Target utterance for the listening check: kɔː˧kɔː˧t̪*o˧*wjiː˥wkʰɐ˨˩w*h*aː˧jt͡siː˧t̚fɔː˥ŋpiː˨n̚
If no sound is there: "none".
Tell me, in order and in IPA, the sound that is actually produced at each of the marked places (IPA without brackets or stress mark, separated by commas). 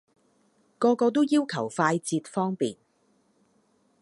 o˥, f